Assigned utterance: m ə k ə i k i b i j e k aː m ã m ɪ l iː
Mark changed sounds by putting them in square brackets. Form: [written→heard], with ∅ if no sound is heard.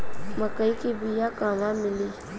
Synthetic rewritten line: m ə k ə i k i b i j [e→a] k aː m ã m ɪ l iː